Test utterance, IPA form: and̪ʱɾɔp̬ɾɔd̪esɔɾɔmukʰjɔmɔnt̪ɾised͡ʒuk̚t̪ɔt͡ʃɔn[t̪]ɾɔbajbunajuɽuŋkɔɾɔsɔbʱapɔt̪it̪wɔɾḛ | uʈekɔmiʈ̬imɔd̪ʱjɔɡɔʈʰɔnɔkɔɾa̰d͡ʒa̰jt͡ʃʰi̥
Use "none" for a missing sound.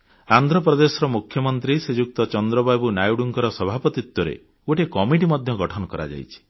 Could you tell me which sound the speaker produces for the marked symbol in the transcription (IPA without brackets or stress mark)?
d̪